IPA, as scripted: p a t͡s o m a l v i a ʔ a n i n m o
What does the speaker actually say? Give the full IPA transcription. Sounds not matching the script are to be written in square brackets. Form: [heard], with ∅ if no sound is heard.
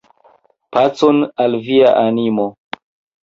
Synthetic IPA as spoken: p a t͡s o [n] a l v i a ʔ a n i [∅] m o